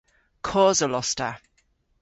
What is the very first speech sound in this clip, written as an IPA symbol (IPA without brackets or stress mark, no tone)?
kʰ